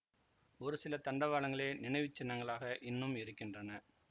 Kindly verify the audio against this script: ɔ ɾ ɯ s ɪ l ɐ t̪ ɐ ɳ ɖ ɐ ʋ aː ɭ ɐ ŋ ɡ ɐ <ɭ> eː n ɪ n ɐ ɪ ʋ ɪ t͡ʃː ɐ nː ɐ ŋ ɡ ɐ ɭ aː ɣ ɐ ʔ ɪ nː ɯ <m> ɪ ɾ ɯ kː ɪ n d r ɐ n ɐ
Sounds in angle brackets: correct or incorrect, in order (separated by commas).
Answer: correct, correct